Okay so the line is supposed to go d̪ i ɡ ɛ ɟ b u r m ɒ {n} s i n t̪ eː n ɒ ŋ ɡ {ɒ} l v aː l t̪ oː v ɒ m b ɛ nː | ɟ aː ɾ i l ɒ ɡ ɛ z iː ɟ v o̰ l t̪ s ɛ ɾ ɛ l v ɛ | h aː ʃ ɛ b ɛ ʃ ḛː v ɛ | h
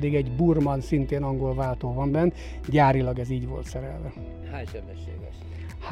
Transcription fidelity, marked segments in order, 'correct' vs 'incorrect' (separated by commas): correct, incorrect